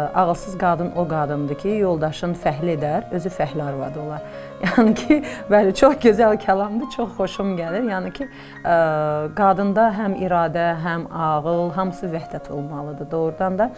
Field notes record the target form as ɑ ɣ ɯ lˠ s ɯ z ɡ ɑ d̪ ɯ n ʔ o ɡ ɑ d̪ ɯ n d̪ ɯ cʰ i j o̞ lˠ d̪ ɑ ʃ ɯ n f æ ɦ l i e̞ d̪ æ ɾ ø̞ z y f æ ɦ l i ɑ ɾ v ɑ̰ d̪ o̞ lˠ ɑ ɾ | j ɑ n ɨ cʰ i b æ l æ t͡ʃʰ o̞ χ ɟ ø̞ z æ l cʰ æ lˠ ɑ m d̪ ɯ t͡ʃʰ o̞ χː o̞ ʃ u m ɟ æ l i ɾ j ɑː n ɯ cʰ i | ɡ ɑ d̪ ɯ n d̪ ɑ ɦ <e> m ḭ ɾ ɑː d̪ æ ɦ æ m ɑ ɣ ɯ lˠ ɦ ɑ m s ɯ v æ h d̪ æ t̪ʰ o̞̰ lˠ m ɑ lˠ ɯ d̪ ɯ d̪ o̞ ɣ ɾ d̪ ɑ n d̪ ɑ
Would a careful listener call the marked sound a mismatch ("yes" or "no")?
yes